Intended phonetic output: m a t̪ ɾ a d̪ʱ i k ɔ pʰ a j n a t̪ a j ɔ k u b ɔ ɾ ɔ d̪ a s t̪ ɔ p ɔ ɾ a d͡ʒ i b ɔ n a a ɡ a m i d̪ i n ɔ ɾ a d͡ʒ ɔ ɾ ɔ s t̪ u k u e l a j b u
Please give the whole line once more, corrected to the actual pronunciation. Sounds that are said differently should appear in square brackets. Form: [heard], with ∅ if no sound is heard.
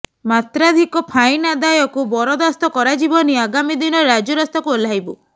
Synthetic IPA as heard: m a t̪ ɾ a d̪ʱ i k ɔ pʰ a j n a [d̪] a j ɔ k u b ɔ ɾ ɔ d̪ a s t̪ ɔ [k] ɔ ɾ a d͡ʒ i b ɔ n [i] a ɡ a m i d̪ i n ɔ ɾ a d͡ʒ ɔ ɾ ɔ s t̪ [ɔ] k u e l a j b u

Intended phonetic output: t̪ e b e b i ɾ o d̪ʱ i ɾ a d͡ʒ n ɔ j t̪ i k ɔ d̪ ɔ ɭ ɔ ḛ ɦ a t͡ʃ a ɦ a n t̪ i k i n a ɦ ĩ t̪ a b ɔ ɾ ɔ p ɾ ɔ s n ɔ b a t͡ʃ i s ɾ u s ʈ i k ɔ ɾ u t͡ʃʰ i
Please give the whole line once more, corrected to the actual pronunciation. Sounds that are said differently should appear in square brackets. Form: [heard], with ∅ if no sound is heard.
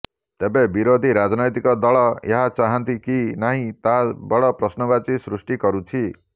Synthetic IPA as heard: t̪ e b e b i ɾ o d̪ʱ i ɾ a d͡ʒ n ɔ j t̪ i k ɔ d̪ ɔ ɭ ɔ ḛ ɦ a t͡ʃ a ɦ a n t̪ i k i n a ɦ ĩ t̪ a b ɔ [ɽ] ɔ p ɾ ɔ s n ɔ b a t͡ʃ i s ɾ u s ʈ i k ɔ ɾ u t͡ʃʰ i

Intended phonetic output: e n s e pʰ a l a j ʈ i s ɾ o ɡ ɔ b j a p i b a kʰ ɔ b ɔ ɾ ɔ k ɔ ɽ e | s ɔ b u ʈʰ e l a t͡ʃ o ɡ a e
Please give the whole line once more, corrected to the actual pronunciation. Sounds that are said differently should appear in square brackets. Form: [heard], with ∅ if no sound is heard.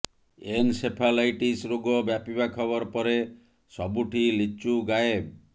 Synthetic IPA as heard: e n s e pʰ a l a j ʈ i s ɾ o ɡ ɔ b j a p i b a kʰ ɔ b ɔ ɾ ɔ [p] ɔ [ɾ] e | s ɔ b u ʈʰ [i] l [i] t͡ʃ [u] ɡ a e

